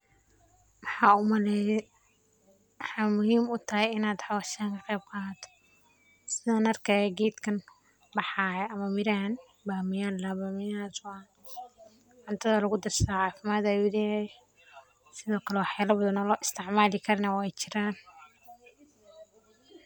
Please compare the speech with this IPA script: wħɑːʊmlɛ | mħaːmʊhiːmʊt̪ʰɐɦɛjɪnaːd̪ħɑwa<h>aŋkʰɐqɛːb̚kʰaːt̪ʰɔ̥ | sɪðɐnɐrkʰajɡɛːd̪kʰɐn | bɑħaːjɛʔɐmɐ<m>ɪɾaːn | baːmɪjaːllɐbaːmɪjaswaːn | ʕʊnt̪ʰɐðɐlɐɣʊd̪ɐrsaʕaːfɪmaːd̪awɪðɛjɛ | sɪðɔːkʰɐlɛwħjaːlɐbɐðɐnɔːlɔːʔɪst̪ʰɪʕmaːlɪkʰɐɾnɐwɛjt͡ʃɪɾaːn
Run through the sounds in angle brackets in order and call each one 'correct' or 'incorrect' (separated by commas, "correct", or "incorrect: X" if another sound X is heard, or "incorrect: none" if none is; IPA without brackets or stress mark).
incorrect: ʃ, correct